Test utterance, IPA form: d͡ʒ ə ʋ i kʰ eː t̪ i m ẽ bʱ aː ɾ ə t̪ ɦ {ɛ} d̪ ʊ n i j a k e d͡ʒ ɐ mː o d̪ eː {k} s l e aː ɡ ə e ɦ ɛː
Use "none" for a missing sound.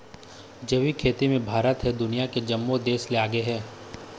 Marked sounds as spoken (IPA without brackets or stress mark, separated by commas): ɛ, none